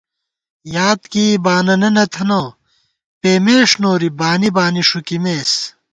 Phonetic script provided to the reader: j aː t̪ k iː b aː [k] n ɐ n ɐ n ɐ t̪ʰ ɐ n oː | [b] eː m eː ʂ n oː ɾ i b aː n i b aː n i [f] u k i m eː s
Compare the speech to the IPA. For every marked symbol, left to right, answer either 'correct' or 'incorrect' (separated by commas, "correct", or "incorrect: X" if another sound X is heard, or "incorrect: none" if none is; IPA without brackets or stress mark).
incorrect: none, incorrect: p, incorrect: ʂ